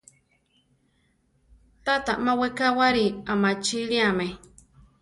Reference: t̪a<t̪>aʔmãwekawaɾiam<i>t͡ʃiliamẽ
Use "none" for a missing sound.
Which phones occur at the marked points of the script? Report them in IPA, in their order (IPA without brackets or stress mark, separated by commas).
t̪, a